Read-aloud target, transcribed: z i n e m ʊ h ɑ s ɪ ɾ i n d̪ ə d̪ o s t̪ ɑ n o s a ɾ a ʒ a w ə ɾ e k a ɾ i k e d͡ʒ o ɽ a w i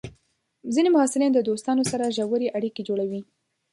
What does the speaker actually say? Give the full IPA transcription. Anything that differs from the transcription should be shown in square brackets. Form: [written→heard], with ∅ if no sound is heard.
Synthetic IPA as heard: z i n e m ʊ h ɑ s ɪ [ɾ→l] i n d̪ ə d̪ o s t̪ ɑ n o s a ɾ a ʒ a w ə ɾ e [k→ʔ] a [ɾ→ɽ] i k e d͡ʒ o ɽ a w i